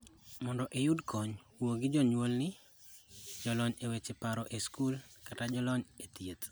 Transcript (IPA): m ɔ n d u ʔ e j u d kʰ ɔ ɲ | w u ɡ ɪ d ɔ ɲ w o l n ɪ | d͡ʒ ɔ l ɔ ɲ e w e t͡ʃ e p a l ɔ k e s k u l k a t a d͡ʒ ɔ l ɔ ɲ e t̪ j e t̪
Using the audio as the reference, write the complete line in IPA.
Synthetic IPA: m ɔ n d ɔ ʔ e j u d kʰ ɔ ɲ | w o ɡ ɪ d͡ʒ ɔ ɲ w o l n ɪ | d͡ʒ ɔ l ɔ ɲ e w e t͡ʃ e p a ɾ ɔ ʔ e s k u l k a t a d͡ʒ ɔ l ɔ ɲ e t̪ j e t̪

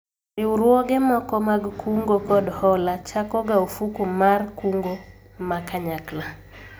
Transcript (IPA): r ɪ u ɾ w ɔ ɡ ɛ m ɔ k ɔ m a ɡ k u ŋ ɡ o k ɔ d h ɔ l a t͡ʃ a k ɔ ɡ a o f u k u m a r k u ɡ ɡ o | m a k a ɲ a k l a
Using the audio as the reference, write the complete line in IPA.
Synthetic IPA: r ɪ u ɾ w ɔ ɡ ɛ m ɔ k ɔ m a ɡ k u ŋ ɡ o k ɔ d h ɔ l a t͡ʃ a k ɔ ɡ a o f u k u m a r k u ŋ ɡ o | m a k a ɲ a k l a

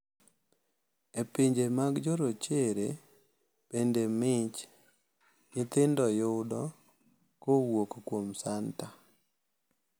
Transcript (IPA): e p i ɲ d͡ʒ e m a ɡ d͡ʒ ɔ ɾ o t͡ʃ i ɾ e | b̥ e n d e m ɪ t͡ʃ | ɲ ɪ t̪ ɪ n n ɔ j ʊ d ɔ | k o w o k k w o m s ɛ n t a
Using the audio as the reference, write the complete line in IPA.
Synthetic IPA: e p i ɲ d͡ʒ e m a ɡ d͡ʒ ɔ ɾ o t͡ʃ e ɾ e | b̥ e n d e m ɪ t͡ʃ | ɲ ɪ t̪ ɪ n d ɔ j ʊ d ɔ | k o w o k k w o m s a n t a

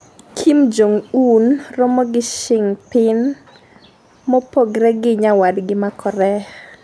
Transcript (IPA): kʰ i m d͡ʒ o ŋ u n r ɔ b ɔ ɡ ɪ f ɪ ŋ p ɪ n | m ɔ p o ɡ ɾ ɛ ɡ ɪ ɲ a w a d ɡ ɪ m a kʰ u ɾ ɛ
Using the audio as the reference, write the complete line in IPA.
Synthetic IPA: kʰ i m d͡ʒ o ŋ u n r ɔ m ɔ ɡ ɪ ʃ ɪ ŋ p ɪ n | m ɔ p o ɡ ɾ ɛ ɡ ɪ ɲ a w a d ɡ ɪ m a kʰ ɔ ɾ ɛ

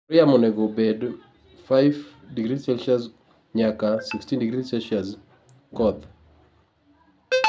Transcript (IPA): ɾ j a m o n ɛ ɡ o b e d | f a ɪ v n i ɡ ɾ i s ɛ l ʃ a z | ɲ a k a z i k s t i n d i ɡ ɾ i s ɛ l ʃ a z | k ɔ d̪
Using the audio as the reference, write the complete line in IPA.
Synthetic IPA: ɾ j a m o n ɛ ɡ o b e d | f a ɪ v d i ɡ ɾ i s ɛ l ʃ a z | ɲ a k a s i k s t i n d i ɡ ɾ i s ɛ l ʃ a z | k ɔ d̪

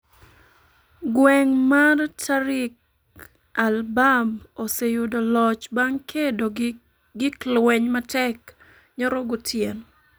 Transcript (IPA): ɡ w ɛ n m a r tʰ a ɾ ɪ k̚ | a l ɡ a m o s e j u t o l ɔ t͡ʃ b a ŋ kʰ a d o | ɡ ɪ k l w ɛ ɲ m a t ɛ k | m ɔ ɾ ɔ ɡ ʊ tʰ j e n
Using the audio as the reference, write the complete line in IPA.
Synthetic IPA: ɡ w ɛ ŋ m a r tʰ a ɾ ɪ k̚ | a l b a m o s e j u d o l ɔ t͡ʃ b a ŋ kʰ e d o | ɡ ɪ k l w ɛ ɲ m a t ɛ k | ɲ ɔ ɾ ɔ ɡ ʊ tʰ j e n

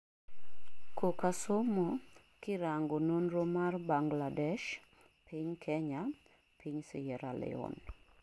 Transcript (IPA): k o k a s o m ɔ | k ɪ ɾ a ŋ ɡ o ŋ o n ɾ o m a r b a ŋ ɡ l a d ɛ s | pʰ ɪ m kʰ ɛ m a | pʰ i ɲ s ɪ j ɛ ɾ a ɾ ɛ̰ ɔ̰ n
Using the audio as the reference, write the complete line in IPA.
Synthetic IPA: k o k a s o m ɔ | k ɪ ɾ a ŋ ɡ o n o n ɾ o m a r b a ŋ ɡ l a d ɛ ʃ | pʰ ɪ ɲ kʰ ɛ ɲ a | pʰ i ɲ s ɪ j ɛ ɾ a l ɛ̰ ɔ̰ n

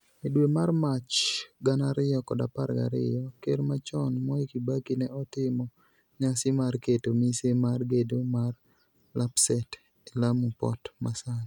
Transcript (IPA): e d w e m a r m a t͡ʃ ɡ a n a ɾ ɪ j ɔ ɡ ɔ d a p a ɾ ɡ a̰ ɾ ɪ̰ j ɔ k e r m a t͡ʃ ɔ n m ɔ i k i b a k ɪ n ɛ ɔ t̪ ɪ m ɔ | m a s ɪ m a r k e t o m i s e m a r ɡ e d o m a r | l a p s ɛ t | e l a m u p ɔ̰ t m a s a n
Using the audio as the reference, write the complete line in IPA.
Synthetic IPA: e d w e m a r m a t͡ʃ ɡ a n a ɾ ɪ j ɔ k ɔ d a p a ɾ ɡ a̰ ɾ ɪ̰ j ɔ k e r m a t͡ʃ ɔ n m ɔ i k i b a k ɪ n ɛ ɔ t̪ ɪ m ɔ | ɲ a s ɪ m a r k e t o m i s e m a r ɡ e d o m a r | l a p s ɛ t | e l a m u p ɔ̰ t m a s a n

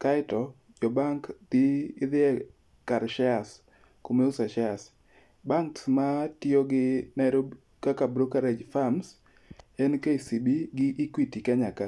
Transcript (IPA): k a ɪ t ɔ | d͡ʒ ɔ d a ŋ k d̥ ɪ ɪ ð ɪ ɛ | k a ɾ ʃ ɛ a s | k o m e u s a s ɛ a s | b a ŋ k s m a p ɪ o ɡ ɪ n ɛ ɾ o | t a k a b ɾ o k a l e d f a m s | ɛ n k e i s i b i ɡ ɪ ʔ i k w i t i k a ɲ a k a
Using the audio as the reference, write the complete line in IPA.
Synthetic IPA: k a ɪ t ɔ | d͡ʒ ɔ b a ŋ k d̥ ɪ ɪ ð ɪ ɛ | k a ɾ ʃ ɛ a s | k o m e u s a ʃ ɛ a s | b a ŋ k s m a t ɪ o ɡ ɪ n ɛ ɾ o | k a k a b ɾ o k a ɾ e d͡ʒ f a m s | ɛ n k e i s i b i ɡ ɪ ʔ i k w i t i k a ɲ a k a

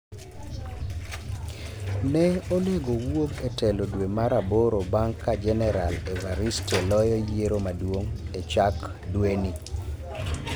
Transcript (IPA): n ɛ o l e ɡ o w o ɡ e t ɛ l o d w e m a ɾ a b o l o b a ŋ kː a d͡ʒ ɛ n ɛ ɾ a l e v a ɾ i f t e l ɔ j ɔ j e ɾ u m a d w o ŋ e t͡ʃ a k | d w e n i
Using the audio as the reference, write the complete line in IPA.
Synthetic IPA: n ɛ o l e ɡ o w o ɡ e t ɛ l o d w e m a ɾ a b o ɾ o b a ŋ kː a d͡ʒ ɛ n ɛ ɾ a l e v a ɾ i s t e l ɔ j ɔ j e ɾ o m a d w o ŋ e t͡ʃ a k | d w e n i

